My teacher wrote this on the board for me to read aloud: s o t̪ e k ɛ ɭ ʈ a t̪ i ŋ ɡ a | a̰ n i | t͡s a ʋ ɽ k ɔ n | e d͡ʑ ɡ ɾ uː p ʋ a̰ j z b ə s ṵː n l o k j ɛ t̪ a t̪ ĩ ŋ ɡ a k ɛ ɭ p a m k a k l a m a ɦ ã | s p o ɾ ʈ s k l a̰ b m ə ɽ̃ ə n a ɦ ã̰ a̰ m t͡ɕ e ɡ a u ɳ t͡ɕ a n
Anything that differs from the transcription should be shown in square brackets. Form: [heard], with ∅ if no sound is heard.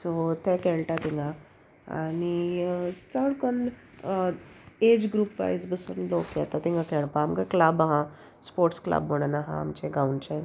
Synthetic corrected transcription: s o t̪ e k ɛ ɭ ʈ a t̪ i ŋ ɡ a | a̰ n i | t͡s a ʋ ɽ k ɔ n | e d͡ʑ ɡ ɾ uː p ʋ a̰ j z b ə s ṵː n l o k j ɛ t̪ a t̪ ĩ ŋ ɡ a k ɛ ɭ p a m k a k l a [b] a ɦ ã | s p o ɾ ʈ s k l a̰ b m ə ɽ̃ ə n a ɦ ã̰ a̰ m t͡ɕ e ɡ a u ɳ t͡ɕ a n